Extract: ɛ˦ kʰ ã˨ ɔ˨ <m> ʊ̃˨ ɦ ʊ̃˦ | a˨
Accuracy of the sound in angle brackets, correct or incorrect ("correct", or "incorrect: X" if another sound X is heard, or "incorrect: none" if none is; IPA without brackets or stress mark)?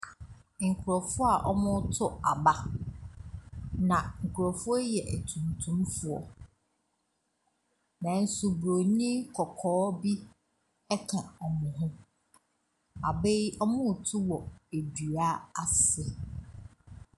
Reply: correct